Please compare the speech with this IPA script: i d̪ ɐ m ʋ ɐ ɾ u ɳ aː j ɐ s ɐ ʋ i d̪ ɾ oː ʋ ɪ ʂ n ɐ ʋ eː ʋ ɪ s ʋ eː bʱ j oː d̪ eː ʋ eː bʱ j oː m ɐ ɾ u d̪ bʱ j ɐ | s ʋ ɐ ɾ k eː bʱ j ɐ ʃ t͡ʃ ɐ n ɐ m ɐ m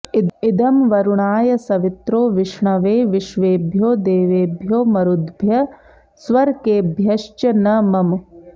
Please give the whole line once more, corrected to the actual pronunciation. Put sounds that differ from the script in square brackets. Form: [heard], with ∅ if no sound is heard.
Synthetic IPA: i d̪ ɐ m ʋ ɐ ɾ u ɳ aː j ɐ s ɐ ʋ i [t̪] ɾ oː ʋ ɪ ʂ [ɳ] ɐ ʋ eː ʋ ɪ [ʃ] ʋ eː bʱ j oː d̪ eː ʋ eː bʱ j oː m ɐ ɾ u d̪ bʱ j ɐ | s ʋ ɐ ɾ k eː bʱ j ɐ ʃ t͡ʃ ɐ n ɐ m ɐ m

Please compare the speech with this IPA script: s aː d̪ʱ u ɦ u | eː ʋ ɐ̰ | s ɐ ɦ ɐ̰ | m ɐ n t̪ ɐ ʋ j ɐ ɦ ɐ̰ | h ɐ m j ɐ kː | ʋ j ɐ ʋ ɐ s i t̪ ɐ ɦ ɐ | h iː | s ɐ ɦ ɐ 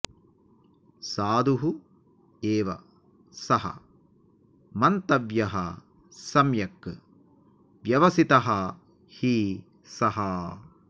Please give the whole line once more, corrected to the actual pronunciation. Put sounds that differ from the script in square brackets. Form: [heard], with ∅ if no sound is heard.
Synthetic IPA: s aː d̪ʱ u ɦ u | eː ʋ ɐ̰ | s ɐ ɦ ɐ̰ | m ɐ n t̪ ɐ ʋ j ɐ ɦ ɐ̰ | [s] ɐ m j ɐ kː | ʋ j ɐ ʋ ɐ s i t̪ ɐ ɦ ɐ | h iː | s ɐ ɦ ɐ

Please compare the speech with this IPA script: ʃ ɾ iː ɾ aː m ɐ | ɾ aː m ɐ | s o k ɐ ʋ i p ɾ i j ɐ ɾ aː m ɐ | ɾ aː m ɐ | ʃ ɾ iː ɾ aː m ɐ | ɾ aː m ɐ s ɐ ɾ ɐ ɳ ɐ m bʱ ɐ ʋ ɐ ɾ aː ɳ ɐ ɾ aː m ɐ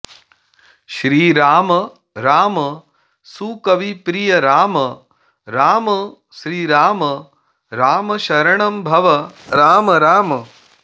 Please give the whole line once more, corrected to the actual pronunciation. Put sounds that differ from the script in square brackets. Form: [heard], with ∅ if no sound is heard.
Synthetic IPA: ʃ ɾ iː ɾ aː m ɐ | ɾ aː m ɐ | s [u] k ɐ ʋ i p ɾ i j ɐ ɾ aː m ɐ | ɾ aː m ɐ | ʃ ɾ iː ɾ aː m ɐ | ɾ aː m ɐ [ʃ] ɐ ɾ ɐ ɳ ɐ m bʱ ɐ ʋ ɐ ɾ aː [m] ɐ ɾ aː m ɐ

